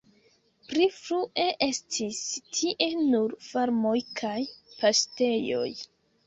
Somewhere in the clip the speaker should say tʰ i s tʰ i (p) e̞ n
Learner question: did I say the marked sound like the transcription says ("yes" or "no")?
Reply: no